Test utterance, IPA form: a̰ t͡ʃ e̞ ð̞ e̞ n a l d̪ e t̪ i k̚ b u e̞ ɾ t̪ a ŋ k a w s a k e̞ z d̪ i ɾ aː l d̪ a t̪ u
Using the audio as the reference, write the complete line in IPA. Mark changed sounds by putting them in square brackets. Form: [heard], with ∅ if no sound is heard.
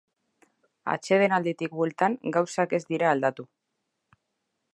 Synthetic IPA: a̰ t͡ʃ e̞ ð̞ e̞ n a l d̪ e t̪ i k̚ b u e̞ [l] t̪ a ŋ [ɡ] a w s a k e̞ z d̪ i ɾ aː l d̪ a t̪ u